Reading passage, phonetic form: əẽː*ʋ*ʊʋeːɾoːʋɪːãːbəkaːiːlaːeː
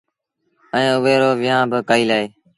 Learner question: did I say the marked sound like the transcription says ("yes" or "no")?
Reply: no